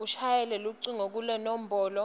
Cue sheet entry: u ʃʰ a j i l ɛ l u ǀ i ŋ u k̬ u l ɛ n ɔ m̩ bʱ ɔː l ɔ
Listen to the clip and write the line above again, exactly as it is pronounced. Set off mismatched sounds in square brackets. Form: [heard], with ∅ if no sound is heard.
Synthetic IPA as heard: u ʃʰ a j [ɛ] l ɛ l u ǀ i ŋ [o] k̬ u l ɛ n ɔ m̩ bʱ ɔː l ɔ